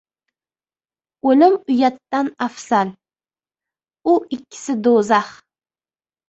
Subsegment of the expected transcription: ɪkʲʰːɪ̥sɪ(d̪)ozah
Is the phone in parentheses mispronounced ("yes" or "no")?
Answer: no